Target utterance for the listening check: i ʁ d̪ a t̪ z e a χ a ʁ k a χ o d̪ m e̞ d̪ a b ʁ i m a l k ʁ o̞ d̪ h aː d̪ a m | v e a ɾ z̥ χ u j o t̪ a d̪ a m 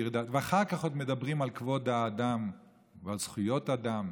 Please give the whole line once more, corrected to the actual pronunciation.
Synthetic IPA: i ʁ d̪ a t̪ v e a χ a ʁ k a χ o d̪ m e̞ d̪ a b ʁ i m a l k v o̞ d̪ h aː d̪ a m | v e a l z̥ χ u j o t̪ a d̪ a m